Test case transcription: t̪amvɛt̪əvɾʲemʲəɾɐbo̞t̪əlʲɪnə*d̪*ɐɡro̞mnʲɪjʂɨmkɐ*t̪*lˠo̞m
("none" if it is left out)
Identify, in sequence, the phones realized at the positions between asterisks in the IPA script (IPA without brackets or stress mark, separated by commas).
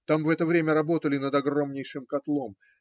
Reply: d̪, t̪